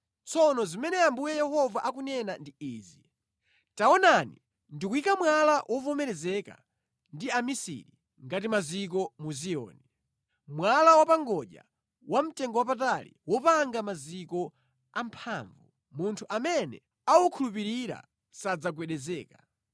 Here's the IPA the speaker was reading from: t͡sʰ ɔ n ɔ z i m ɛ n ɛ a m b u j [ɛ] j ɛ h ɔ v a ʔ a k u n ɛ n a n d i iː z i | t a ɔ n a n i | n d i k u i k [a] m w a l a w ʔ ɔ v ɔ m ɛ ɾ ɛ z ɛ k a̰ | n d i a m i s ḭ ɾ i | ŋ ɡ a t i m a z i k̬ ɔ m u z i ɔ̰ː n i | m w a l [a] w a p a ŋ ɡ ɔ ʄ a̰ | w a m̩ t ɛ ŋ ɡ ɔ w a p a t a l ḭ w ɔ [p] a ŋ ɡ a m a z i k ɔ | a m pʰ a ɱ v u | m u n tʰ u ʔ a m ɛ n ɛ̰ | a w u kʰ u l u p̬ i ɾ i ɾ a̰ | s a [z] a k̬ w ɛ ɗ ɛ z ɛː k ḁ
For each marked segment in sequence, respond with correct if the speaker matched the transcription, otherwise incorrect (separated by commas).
correct, correct, correct, correct, incorrect